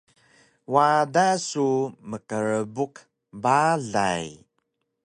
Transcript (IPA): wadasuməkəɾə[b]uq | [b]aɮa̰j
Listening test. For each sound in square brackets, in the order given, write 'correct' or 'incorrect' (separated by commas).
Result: correct, correct